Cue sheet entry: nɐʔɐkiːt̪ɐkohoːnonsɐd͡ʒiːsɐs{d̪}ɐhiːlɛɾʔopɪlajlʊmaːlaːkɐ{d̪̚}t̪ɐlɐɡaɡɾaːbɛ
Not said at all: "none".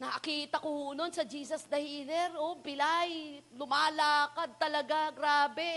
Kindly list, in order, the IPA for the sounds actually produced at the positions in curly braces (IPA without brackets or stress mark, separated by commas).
d̪, d̪̚